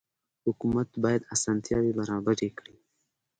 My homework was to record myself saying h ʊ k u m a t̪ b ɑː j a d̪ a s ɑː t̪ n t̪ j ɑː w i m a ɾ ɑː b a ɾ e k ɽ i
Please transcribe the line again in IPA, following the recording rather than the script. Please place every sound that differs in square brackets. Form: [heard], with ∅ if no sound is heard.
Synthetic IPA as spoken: h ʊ k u m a t̪ b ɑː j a d̪ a s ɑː [∅] n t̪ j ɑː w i [b] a ɾ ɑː b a ɾ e k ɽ i